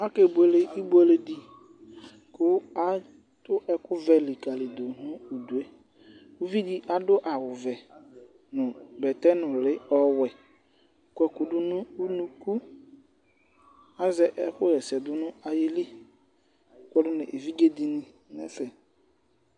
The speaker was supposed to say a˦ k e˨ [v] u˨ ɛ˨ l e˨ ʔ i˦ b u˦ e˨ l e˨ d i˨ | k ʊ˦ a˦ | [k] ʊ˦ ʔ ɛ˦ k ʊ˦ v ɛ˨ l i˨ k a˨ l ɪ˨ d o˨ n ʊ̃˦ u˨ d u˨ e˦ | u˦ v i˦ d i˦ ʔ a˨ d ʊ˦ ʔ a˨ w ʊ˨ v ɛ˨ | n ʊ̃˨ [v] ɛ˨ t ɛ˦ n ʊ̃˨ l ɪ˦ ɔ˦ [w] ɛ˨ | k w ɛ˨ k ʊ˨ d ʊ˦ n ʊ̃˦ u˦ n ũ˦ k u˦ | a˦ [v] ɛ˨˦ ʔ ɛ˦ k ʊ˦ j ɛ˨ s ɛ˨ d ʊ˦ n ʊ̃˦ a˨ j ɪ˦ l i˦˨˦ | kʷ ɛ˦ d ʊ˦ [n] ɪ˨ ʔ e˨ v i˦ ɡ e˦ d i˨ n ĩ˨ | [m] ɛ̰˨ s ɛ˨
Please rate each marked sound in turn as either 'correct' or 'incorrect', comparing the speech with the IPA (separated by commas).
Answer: incorrect, incorrect, incorrect, correct, incorrect, correct, incorrect